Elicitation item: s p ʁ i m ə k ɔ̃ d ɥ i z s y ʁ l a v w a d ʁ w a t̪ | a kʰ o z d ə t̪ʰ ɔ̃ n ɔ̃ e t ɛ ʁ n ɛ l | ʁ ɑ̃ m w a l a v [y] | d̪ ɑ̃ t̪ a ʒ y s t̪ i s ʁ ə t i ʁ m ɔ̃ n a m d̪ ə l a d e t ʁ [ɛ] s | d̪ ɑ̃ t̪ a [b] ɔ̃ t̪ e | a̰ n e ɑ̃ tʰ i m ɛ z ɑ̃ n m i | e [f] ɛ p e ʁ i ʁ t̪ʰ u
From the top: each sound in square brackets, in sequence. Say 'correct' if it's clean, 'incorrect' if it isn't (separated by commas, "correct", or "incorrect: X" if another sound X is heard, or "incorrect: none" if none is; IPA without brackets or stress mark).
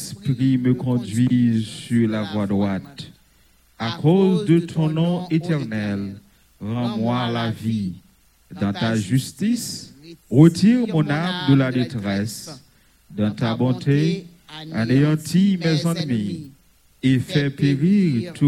incorrect: i, correct, correct, correct